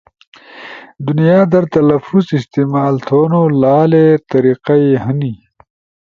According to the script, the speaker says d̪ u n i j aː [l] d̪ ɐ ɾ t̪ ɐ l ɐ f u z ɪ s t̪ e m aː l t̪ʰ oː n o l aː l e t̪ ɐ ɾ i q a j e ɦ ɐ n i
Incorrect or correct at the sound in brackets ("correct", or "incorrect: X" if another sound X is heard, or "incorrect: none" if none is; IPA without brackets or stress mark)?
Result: incorrect: none